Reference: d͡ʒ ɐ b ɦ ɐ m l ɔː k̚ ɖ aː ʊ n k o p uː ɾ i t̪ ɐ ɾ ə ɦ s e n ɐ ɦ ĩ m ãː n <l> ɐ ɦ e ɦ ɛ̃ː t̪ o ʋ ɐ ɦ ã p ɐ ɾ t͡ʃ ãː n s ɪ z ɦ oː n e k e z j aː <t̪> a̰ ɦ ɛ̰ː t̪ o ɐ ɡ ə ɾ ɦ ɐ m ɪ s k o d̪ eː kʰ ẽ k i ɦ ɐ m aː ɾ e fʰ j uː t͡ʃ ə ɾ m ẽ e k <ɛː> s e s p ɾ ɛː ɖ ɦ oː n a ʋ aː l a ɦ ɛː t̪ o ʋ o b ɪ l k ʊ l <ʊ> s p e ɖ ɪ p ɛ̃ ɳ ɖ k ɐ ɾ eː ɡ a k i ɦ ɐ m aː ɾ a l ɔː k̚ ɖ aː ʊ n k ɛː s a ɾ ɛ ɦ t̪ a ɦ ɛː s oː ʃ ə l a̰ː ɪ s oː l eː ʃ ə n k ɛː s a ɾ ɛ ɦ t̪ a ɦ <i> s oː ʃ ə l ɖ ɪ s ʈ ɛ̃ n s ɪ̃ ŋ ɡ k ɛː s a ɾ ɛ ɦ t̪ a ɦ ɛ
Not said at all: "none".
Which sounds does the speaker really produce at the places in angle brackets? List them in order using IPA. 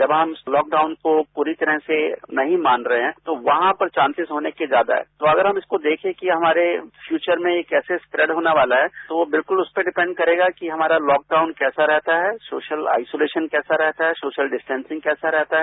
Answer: ɾ, d̪, ɛː, ʊ, ɛ

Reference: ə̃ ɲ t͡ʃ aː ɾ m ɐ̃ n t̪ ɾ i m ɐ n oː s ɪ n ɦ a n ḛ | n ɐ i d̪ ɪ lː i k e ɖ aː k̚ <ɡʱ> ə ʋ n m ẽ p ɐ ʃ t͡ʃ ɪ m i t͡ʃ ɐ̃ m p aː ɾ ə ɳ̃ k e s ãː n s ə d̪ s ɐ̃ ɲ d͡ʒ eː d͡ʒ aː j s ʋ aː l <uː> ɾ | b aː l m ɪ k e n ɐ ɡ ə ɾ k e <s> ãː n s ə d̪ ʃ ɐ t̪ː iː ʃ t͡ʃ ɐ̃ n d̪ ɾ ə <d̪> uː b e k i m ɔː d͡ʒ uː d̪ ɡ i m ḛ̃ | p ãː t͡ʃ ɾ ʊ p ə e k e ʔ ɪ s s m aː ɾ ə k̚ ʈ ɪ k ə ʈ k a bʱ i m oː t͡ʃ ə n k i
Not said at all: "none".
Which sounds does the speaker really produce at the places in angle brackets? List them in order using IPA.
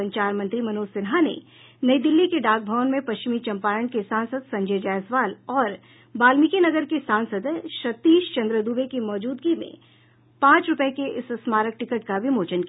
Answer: bʱ, ɔː, s, d̪

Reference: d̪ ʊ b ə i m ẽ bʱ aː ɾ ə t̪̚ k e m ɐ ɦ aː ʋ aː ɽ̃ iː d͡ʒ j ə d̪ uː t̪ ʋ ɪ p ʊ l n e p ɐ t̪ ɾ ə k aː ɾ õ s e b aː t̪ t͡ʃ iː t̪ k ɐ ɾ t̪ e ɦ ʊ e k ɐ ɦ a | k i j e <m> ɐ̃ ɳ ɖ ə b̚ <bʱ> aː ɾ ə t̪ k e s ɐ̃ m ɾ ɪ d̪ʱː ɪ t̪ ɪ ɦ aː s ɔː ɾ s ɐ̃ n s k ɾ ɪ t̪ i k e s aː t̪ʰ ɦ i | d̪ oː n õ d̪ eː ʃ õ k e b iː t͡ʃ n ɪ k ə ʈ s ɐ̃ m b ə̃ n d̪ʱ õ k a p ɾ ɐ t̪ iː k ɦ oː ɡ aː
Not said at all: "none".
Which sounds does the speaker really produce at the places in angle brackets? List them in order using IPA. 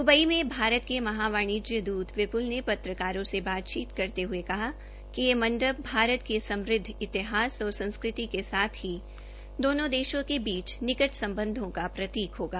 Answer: m, bʱ

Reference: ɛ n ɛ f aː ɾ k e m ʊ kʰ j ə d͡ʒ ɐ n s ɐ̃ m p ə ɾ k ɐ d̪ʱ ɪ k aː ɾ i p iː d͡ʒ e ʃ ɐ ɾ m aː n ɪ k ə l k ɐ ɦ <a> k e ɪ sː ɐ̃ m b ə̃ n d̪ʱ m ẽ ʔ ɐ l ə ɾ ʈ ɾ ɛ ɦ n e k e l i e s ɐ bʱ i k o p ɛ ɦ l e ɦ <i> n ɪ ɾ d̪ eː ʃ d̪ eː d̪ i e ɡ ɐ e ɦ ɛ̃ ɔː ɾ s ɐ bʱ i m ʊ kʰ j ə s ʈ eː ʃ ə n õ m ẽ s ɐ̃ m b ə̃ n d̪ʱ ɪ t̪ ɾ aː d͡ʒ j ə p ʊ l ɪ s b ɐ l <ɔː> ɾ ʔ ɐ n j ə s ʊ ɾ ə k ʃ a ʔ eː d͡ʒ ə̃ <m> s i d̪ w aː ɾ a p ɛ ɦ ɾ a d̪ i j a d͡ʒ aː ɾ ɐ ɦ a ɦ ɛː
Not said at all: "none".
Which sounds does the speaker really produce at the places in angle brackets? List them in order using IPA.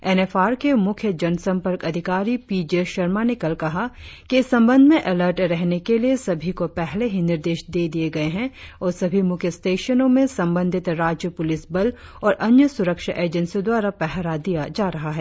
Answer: a, i, ɔː, n

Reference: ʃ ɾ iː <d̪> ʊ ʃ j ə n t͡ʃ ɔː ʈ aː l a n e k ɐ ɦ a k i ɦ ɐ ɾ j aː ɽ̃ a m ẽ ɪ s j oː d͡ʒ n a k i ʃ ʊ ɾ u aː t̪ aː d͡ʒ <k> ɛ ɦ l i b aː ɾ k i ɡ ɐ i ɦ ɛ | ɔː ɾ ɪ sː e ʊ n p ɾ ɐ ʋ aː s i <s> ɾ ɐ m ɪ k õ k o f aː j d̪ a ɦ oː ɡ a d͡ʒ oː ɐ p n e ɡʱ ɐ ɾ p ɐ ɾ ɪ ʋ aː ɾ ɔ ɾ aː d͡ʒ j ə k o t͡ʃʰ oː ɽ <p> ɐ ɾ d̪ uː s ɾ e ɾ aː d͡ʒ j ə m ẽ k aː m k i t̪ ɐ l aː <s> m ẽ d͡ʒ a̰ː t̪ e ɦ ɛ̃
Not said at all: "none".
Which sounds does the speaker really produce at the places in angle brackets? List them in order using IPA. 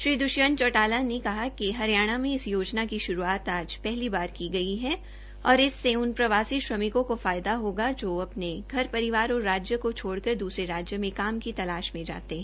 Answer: d̪, p, ʃ, k, ʃ

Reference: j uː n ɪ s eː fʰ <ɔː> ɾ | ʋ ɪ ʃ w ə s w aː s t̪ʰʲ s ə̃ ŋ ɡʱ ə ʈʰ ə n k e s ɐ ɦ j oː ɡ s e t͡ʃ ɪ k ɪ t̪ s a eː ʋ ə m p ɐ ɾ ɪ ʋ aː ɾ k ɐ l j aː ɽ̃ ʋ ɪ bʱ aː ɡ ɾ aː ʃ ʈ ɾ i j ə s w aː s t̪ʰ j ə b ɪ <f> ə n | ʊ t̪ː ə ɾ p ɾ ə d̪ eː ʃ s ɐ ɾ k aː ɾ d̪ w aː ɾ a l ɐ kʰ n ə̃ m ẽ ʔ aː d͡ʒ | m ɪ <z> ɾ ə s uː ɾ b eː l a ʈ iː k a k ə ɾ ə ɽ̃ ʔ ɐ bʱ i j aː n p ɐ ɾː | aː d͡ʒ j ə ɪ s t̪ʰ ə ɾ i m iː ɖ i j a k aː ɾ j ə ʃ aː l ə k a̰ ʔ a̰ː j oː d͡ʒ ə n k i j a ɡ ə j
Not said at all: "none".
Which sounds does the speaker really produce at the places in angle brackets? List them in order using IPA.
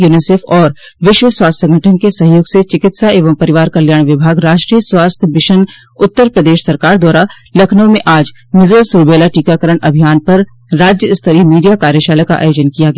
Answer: ɔː, ʃ, z

